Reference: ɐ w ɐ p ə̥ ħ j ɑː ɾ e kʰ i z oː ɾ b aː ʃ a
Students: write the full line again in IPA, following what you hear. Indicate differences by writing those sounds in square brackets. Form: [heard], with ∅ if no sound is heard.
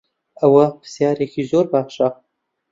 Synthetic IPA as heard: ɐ w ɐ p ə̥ [s] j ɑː ɾ e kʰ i z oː ɾ b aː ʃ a